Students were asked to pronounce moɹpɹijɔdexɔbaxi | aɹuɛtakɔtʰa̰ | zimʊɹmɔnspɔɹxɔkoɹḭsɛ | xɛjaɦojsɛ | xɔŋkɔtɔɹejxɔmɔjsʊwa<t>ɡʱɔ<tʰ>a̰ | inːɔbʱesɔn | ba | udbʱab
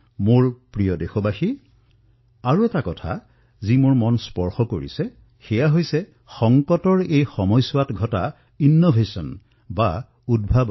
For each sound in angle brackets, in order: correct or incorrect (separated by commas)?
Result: correct, incorrect